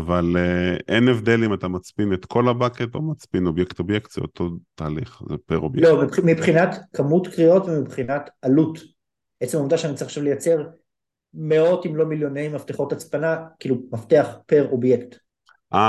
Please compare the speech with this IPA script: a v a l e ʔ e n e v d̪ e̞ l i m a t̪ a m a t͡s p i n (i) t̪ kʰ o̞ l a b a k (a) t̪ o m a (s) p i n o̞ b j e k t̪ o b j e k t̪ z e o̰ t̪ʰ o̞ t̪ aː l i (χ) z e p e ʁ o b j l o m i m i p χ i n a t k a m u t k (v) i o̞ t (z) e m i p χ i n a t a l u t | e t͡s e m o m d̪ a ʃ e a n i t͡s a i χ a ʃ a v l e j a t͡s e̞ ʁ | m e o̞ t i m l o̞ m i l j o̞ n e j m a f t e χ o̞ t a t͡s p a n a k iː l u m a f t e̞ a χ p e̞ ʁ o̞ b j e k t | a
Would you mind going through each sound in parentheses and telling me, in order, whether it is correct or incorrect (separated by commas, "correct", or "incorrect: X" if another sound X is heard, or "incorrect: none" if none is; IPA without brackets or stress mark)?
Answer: incorrect: e, incorrect: e, incorrect: t͡s, correct, incorrect: ʁ, incorrect: v